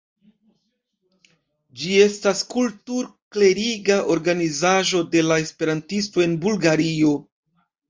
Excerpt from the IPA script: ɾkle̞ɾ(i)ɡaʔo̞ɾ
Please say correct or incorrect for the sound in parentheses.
correct